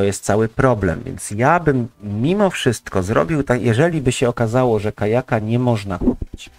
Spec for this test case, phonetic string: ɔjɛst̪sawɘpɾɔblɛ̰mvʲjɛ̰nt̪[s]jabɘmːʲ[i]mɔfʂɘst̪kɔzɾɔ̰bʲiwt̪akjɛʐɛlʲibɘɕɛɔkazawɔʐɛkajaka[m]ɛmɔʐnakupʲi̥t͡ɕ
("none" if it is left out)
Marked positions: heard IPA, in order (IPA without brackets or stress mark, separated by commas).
s, i, ɲ